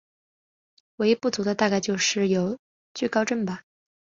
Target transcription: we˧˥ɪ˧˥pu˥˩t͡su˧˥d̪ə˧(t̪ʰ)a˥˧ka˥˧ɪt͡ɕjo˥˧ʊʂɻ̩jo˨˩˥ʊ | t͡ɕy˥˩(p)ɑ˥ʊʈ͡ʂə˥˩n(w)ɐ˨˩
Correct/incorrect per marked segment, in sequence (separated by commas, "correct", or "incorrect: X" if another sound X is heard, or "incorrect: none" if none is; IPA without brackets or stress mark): incorrect: t̪, incorrect: k, incorrect: b